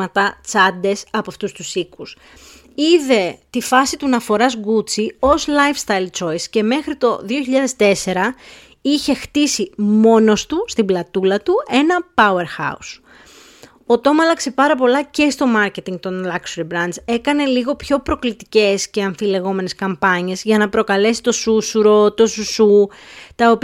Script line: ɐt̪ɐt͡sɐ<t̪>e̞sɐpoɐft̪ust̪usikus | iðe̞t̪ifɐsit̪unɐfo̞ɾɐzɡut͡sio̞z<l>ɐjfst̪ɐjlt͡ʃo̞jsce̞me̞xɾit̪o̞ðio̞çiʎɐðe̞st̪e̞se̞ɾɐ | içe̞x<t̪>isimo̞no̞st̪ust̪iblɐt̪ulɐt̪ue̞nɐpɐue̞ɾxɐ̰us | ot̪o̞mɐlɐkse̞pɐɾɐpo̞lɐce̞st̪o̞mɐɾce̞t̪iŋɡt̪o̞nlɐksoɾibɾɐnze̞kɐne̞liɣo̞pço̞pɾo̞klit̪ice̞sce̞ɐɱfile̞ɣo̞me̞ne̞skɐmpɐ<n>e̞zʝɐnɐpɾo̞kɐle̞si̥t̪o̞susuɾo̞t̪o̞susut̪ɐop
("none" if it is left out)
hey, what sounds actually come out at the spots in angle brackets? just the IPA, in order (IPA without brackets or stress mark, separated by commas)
d̪, l, t̪, ɲ